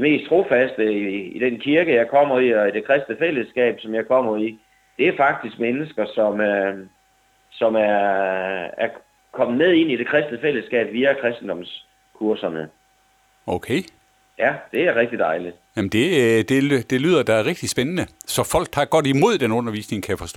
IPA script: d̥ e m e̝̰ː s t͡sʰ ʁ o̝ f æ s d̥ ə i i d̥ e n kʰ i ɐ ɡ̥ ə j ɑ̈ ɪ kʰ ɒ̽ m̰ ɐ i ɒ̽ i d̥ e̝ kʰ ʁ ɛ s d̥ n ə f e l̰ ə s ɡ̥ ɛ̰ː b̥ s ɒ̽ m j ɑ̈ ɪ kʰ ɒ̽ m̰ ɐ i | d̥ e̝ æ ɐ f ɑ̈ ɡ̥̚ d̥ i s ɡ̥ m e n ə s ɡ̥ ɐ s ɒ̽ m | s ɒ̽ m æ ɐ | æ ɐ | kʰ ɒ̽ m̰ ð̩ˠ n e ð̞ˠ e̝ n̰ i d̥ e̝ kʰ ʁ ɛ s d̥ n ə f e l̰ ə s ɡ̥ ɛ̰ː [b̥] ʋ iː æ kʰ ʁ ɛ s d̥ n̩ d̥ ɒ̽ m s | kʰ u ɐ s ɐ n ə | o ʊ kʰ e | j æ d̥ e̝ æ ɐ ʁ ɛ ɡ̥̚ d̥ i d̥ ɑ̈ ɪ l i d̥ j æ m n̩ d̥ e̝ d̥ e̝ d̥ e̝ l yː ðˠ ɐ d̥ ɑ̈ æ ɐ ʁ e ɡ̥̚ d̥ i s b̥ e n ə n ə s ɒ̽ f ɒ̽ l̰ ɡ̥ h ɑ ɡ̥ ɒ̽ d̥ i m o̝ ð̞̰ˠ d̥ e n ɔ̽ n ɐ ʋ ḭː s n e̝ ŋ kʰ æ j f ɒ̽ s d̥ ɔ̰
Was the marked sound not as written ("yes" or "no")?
no